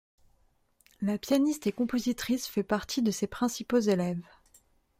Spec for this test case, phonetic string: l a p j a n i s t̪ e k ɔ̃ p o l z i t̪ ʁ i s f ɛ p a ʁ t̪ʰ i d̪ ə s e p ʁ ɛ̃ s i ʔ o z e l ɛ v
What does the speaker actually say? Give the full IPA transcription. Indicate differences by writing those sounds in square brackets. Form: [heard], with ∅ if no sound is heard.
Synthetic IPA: l a p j a n i s t̪ e k ɔ̃ p o [∅] z i t̪ [χ] i s f ɛ p a ʁ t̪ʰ i d̪ ə s e p [χ] ɛ̃ s i [p] o z e l ɛ v